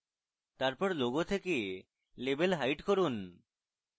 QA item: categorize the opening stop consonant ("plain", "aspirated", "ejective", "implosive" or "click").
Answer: plain